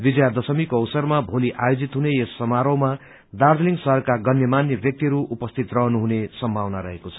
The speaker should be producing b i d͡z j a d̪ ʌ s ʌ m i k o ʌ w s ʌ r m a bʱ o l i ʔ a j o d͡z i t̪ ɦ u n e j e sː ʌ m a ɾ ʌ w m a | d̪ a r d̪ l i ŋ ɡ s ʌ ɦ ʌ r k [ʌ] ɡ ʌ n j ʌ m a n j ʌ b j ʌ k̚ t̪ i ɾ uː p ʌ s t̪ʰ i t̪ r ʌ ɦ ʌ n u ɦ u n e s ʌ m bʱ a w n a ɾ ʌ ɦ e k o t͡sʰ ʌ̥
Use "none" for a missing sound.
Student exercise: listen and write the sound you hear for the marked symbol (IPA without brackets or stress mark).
a